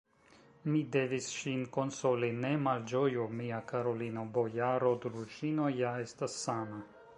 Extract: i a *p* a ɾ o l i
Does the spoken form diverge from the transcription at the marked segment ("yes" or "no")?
yes